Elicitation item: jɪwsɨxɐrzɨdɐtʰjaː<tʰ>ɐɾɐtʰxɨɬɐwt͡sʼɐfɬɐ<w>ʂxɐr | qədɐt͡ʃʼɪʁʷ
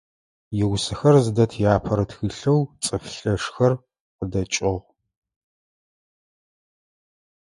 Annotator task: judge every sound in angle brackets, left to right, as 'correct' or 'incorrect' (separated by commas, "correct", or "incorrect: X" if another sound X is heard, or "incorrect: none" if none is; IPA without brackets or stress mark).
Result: incorrect: pʰ, incorrect: none